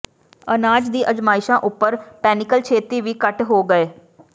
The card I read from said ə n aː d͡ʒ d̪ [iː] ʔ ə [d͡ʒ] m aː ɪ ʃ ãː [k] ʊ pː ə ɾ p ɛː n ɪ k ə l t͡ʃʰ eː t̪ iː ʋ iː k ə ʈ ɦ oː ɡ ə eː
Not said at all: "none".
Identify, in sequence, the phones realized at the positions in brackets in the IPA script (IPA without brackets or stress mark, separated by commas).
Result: iː, d͡ʒ, ʔ